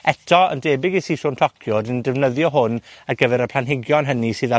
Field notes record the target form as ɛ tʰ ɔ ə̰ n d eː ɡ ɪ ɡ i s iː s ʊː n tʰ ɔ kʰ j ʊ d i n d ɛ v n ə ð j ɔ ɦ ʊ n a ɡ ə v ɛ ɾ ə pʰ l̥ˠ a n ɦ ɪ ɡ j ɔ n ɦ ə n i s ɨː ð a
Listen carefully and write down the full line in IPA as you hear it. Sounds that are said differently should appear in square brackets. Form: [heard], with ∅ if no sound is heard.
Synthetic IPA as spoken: ɛ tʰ ɔ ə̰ n d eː [b] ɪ ɡ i s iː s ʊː n tʰ ɔ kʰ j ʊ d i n d ɛ v n ə ð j ɔ ɦ ʊ n a ɡ ə v ɛ ɾ ə pʰ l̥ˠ a n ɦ ɪ ɡ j ɔ n ɦ ə n i s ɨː ð a